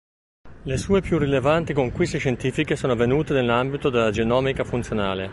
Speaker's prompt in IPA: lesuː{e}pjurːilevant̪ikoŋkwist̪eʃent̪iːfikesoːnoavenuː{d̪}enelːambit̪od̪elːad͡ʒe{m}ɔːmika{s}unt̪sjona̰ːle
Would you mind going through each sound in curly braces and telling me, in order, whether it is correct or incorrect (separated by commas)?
correct, incorrect, incorrect, incorrect